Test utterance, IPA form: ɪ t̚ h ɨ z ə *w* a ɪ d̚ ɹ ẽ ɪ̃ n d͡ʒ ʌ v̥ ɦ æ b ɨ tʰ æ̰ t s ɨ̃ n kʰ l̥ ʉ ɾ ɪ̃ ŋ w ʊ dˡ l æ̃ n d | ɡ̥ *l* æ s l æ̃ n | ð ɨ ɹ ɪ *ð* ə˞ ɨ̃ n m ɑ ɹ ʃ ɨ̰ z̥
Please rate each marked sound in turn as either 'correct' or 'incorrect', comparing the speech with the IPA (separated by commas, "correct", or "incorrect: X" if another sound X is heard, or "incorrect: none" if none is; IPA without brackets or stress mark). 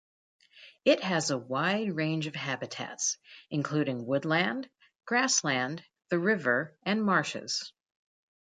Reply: correct, incorrect: ɹ, incorrect: v